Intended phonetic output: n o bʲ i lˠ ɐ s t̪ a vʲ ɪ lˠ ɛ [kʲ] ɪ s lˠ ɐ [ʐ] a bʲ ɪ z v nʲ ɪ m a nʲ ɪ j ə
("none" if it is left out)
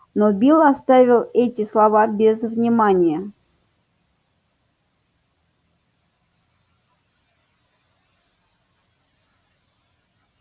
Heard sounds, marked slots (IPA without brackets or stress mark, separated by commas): tʲ, v